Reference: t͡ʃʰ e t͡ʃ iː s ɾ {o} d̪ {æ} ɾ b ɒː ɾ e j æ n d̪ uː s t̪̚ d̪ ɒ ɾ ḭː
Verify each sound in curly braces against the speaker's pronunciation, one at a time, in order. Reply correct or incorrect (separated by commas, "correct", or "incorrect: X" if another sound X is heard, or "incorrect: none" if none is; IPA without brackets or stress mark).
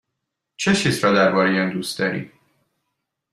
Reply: incorrect: ɒ, correct